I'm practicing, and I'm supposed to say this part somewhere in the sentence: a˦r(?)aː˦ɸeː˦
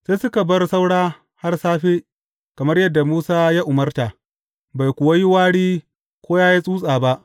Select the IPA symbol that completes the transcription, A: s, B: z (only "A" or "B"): A